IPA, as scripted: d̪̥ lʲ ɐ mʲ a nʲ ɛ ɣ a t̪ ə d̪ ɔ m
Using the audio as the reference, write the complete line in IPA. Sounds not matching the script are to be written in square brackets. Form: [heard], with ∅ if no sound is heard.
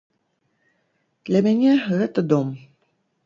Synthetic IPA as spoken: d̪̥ lʲ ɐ mʲ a nʲ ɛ ɣ [ɛ] t̪ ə d̪ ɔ m